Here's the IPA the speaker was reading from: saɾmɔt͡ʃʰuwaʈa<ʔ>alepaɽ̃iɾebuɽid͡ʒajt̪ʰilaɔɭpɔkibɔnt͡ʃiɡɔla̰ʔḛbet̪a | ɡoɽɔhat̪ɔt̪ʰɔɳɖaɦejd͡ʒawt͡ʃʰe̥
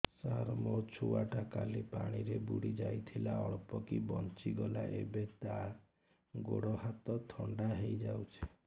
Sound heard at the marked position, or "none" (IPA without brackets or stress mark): k